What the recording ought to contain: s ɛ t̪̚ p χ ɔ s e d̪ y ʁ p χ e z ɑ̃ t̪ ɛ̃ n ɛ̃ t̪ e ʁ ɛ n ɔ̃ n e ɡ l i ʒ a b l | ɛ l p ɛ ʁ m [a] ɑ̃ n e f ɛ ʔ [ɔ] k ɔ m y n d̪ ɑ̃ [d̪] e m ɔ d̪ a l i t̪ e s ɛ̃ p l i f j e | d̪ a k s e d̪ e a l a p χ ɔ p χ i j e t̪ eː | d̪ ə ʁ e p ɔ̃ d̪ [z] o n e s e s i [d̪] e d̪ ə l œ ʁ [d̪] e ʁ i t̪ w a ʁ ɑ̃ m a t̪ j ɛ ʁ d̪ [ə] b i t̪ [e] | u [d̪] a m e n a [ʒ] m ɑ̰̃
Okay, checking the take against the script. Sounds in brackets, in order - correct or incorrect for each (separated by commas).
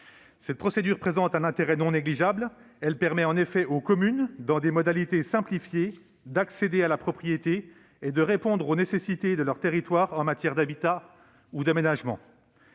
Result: incorrect, incorrect, correct, incorrect, incorrect, incorrect, incorrect, incorrect, correct, correct